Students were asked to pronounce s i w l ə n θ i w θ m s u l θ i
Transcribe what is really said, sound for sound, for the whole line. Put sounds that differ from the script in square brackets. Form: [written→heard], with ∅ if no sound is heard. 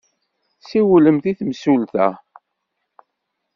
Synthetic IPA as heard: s i w l ə [n→m] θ i [w→∅] θ m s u l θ [i→æ]